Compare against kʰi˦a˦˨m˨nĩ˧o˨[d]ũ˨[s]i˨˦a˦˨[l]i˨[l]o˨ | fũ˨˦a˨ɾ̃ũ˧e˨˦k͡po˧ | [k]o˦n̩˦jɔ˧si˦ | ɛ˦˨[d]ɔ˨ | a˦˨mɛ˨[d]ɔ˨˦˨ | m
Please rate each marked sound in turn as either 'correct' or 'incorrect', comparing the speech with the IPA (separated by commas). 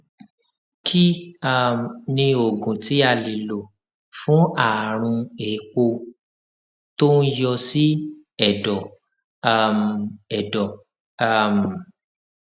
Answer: incorrect, incorrect, correct, correct, incorrect, correct, correct